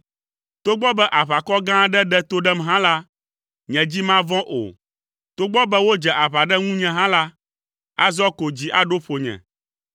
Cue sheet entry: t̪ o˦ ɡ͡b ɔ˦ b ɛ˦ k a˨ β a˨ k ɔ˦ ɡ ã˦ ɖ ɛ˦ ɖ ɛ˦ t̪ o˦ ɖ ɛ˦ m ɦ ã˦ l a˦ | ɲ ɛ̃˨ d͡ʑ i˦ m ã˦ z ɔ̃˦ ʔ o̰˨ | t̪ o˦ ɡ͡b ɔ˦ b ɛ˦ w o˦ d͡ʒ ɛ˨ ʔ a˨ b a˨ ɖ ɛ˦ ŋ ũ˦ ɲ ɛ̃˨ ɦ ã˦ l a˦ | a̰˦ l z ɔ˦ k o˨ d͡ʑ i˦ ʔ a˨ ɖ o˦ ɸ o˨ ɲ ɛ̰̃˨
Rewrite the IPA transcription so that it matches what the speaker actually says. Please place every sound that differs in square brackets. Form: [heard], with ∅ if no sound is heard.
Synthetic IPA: t̪ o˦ ɡ͡b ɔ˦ b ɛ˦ [ʔ] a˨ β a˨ k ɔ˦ ɡ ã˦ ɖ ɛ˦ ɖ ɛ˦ t̪ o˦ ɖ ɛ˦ m ɦ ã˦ l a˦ | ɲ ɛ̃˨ d͡ʑ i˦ m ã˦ [v] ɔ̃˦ ʔ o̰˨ | t̪ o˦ ɡ͡b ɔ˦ b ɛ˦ w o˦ d͡ʒ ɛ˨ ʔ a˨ [β] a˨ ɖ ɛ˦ ŋ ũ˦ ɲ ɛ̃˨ ɦ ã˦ l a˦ | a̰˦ [∅] z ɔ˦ k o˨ d͡ʑ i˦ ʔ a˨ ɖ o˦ ɸ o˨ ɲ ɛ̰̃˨